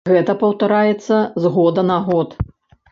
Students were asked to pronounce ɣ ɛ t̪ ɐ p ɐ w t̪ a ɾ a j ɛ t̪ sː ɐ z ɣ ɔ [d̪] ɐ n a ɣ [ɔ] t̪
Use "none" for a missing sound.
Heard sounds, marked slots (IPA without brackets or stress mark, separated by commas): d̪, ɔ